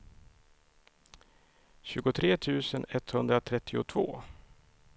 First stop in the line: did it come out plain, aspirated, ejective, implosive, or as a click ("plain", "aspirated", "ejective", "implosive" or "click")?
plain